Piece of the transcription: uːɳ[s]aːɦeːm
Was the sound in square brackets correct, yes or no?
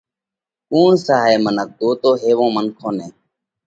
yes